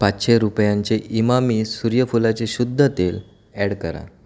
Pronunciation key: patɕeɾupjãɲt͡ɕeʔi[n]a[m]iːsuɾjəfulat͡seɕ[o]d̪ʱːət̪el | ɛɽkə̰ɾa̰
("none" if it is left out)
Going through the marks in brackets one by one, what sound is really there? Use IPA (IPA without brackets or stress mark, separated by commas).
m, m, u